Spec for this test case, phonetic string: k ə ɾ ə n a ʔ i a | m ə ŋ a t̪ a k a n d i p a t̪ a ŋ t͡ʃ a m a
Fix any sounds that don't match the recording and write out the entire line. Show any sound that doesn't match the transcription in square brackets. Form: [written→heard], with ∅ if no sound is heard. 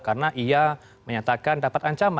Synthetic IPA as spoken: k [ə→a] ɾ ə n a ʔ i a | m ə [ŋ→ɲ] a t̪ a k a n d [i→a] p a t̪ a [ŋ→ɲ] t͡ʃ a m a